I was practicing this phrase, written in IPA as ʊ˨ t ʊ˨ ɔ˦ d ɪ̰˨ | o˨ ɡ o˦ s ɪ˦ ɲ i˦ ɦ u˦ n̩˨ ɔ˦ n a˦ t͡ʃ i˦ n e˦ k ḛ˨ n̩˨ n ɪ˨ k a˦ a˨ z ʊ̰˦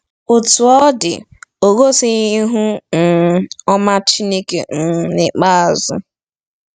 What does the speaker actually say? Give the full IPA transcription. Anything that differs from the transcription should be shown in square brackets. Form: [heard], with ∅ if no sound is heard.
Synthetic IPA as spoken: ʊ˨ t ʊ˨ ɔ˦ d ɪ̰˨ | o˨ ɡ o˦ s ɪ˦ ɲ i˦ ɦ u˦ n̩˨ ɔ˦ [m] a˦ t͡ʃ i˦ n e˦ k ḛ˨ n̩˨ n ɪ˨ [k͡p] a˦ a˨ z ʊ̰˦